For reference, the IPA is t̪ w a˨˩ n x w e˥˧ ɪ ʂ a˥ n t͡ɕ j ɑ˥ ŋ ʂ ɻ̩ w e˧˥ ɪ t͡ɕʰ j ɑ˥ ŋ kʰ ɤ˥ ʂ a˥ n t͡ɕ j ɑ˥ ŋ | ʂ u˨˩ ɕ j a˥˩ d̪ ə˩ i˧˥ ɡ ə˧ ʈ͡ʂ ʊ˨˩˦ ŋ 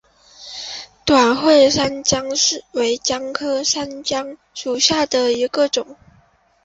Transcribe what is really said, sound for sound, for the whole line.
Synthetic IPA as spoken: t̪ w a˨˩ n x w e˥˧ ɪ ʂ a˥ n t͡ɕ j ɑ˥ ŋ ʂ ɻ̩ w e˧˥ ɪ t͡ɕ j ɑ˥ ŋ kʰ ɤ˥ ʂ a˥ n t͡ɕ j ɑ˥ ŋ | ʂ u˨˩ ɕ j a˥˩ d̪ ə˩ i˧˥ ɡ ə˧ ʈ͡ʂ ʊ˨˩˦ ŋ